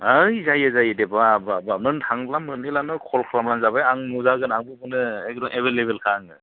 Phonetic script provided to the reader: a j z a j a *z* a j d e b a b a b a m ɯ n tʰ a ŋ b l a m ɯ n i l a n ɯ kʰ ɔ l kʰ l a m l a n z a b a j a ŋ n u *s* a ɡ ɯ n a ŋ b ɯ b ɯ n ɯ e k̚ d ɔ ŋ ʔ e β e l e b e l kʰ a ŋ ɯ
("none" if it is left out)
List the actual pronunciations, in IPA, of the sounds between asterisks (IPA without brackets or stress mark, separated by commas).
z, z